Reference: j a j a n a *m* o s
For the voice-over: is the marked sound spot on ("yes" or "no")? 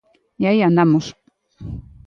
yes